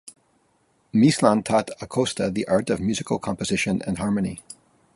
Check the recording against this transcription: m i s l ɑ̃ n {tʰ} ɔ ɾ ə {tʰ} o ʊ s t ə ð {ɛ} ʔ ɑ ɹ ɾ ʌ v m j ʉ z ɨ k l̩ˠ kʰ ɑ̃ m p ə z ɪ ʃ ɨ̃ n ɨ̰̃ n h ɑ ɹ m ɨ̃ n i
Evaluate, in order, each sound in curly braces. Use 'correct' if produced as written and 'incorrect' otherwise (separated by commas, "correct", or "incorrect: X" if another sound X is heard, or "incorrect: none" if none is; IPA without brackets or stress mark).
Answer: correct, incorrect: kʰ, incorrect: i